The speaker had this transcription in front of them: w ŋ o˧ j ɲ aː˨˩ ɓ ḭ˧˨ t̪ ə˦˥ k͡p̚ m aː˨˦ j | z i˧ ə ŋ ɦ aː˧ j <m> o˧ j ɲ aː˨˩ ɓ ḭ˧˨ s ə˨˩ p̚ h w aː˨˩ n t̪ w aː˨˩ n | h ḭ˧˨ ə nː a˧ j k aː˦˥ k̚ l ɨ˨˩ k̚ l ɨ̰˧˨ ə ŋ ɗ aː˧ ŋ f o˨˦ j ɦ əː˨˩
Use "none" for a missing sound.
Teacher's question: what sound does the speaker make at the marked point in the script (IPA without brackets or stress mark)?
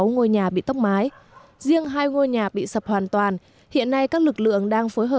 ŋ